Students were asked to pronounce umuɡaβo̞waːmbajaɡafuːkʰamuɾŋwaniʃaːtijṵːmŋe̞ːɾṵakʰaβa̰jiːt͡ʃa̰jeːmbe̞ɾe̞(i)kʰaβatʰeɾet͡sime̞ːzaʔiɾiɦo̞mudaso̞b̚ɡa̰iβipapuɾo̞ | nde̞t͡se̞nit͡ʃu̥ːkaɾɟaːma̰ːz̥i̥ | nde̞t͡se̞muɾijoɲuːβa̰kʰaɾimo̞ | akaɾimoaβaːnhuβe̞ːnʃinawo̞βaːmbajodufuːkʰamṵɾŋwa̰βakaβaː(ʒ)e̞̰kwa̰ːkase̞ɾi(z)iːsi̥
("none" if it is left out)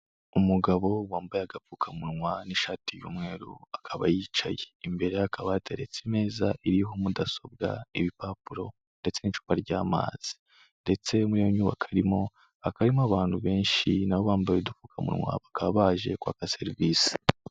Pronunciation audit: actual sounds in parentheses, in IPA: a, ʒ, v

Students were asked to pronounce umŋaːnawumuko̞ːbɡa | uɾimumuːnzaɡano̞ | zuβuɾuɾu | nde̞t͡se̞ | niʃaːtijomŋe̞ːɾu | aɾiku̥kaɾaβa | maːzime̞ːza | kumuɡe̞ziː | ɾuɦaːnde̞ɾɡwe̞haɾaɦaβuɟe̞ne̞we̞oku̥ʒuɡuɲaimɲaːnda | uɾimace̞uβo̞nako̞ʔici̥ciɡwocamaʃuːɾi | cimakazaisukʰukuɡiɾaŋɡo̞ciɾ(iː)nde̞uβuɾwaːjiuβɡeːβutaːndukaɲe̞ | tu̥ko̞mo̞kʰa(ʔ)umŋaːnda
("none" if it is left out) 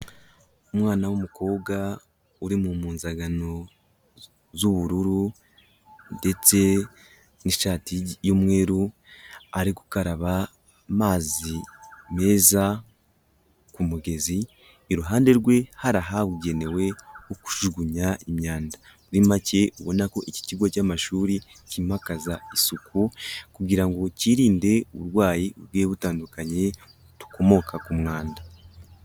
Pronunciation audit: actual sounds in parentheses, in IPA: iː, k

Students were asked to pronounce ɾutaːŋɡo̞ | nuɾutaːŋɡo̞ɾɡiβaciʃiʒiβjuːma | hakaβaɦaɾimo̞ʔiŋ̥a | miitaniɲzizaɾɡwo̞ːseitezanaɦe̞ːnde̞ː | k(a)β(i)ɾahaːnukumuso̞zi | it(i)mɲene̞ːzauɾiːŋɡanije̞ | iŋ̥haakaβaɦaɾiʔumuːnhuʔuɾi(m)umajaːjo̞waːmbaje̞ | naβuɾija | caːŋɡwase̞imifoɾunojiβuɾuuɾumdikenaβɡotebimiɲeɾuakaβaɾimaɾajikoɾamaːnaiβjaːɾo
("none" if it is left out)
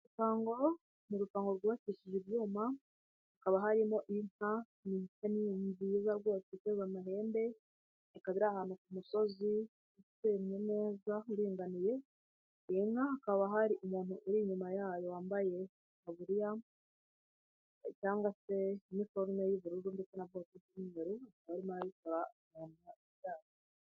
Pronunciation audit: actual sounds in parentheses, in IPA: a, i, e, ɲ

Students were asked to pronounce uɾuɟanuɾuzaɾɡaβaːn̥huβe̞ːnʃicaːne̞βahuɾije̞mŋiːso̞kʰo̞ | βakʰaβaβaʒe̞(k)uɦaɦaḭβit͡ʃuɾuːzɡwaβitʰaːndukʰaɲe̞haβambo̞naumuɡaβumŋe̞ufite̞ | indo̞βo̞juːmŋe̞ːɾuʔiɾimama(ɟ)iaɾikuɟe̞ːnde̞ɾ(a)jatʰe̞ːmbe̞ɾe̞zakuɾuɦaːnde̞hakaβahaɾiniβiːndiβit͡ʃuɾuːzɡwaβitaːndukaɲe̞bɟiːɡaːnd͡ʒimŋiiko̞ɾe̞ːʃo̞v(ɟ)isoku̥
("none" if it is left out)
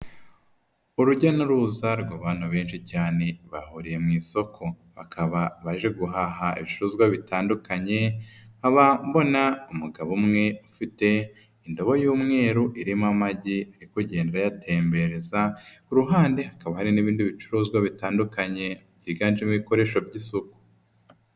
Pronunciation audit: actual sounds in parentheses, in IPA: ɡ, ɟ, a, ɟ

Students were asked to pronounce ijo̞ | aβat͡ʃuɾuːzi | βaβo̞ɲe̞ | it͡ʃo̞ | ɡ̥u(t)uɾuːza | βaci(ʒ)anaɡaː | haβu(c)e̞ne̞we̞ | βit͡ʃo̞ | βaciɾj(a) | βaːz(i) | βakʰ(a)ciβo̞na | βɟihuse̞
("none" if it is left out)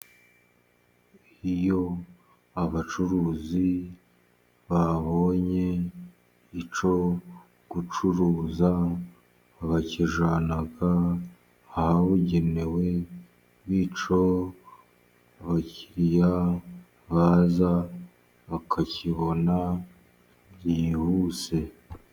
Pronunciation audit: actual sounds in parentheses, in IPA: t͡ʃ, ʒ, ɟ, a, a, a

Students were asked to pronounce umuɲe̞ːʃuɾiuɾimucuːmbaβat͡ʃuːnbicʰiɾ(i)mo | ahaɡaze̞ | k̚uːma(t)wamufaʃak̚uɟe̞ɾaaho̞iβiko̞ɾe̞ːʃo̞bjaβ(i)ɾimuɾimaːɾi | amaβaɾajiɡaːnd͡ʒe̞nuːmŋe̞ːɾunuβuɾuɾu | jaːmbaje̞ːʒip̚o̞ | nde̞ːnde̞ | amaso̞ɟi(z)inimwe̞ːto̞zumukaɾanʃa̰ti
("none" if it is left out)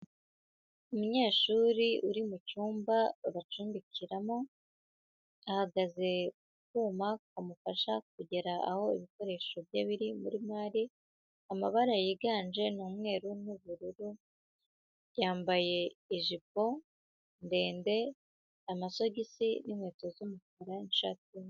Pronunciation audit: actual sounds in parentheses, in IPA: a, k, i, s

